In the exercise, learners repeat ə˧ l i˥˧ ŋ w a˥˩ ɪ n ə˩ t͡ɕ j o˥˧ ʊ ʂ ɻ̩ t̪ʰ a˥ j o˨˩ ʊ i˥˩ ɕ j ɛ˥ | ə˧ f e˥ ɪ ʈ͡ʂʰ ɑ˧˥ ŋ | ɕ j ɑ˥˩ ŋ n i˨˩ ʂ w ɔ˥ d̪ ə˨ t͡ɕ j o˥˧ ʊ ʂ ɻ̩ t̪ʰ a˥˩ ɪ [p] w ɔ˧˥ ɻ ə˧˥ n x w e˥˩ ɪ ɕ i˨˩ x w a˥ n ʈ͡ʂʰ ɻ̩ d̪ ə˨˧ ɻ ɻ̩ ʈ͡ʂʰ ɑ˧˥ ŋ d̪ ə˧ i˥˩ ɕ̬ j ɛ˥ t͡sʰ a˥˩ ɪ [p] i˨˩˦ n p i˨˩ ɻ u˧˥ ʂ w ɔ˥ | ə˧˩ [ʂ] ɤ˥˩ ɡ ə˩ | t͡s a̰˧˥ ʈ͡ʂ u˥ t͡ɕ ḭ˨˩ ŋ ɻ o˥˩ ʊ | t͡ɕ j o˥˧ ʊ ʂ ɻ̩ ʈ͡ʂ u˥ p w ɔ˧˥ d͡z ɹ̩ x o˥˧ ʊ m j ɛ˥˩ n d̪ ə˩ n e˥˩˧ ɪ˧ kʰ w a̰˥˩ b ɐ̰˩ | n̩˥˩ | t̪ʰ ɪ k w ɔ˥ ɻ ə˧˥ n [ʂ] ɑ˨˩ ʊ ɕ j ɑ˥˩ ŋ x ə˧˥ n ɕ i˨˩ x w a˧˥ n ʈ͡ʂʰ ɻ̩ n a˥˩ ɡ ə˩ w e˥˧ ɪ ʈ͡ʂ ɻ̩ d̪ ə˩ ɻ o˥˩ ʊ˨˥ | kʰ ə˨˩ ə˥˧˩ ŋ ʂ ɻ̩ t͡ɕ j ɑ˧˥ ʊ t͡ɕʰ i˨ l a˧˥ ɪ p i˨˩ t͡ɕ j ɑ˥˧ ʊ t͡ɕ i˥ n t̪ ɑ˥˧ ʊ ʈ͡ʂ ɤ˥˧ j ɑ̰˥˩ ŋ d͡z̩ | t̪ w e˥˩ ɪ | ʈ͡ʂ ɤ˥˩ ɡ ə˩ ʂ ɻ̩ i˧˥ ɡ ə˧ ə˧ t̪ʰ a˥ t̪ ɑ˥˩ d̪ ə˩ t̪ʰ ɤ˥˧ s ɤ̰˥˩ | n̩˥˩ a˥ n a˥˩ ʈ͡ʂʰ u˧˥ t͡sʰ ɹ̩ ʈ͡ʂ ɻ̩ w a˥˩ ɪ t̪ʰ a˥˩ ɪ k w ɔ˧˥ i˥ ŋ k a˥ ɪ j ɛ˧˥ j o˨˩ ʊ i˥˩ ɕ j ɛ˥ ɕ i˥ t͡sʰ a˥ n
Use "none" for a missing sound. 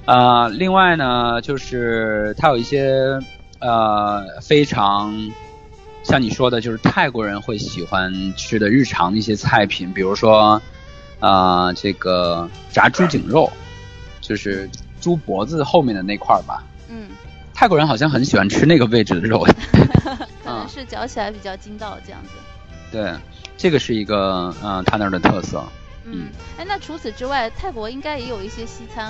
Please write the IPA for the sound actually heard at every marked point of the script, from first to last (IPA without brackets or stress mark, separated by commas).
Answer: k, pʰ, ʈ͡ʂ, x